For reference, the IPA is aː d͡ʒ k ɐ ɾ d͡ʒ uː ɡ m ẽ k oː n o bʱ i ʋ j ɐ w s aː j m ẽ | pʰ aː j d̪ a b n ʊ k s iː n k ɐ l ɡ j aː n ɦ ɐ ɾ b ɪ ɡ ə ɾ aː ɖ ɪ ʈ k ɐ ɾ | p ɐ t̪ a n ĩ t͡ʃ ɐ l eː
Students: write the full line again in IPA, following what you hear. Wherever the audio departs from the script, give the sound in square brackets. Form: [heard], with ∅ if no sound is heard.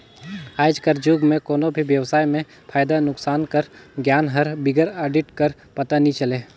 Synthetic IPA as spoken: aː d͡ʒ k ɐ ɾ d͡ʒ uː ɡ m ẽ k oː n o bʱ i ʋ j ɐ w s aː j m ẽ | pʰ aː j d̪ a [∅] n ʊ k s [aː] n k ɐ [ɾ] ɡ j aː n ɦ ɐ ɾ b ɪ ɡ ə ɾ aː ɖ ɪ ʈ k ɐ ɾ | p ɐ t̪ a n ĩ t͡ʃ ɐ l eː